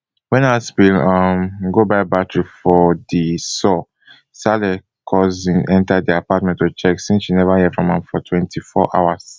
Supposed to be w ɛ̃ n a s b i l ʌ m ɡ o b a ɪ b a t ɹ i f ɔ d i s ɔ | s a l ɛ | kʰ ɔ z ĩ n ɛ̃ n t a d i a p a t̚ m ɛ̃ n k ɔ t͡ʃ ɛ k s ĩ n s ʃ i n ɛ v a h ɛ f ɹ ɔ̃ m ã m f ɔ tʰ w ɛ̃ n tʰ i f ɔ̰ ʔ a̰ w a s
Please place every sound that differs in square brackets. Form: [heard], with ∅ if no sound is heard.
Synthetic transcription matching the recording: w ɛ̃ n a s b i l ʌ m ɡ o b a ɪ b a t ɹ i f ɔ d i s ɔ | s a l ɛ | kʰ ɔ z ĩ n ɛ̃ n t a d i a p a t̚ m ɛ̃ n [t] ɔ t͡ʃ ɛ k s ĩ n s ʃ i n ɛ v a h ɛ f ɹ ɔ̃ m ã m f ɔ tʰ w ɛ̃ n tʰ i f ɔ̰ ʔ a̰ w a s